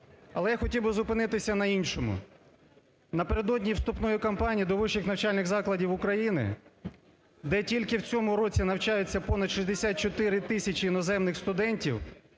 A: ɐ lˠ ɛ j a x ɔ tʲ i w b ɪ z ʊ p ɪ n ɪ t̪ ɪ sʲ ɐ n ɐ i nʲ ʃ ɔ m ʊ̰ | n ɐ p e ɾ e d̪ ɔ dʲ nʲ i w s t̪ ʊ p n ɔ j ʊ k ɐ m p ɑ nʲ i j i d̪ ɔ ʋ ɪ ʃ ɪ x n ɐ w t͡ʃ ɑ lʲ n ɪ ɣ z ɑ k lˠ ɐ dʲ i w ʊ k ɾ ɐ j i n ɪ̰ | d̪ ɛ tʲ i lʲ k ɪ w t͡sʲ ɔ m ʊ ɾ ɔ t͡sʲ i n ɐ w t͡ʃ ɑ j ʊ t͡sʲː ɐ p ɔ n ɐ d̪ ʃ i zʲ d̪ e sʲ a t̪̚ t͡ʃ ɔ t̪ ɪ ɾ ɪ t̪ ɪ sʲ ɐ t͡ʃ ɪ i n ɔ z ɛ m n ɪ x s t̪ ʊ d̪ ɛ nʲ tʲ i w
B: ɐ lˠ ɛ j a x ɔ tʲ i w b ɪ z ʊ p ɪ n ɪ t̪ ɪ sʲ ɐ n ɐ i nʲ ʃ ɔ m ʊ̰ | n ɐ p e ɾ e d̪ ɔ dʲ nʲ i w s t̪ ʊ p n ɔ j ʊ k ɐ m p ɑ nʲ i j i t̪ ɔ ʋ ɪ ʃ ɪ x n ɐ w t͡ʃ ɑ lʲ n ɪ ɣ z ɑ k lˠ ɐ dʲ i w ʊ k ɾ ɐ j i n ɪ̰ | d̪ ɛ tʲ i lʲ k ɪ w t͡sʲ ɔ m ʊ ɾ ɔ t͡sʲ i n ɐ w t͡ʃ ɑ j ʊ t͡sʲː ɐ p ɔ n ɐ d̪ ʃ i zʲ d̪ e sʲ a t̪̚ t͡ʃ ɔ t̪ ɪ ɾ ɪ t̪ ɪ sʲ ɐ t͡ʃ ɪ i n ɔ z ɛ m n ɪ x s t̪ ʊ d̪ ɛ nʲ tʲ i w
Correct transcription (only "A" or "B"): A